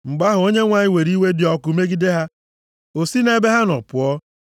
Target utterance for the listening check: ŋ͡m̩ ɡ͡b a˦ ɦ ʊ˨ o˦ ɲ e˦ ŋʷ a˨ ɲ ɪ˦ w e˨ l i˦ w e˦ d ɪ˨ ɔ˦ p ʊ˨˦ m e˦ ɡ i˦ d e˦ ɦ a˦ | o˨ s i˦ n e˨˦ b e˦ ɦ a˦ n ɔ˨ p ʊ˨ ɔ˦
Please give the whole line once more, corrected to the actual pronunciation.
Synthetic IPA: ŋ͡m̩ ɡ͡b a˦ ɦ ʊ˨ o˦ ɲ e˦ ŋʷ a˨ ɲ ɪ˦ w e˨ ɾ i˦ w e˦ d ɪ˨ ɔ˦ k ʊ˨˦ m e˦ ɡ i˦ d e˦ ɦ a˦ | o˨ s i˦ n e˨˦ b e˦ ɦ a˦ n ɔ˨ p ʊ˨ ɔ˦